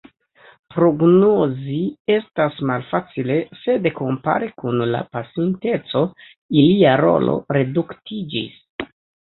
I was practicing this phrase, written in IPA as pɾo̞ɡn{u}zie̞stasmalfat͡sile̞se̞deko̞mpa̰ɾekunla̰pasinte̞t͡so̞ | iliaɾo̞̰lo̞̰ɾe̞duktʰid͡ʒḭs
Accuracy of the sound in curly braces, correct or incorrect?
incorrect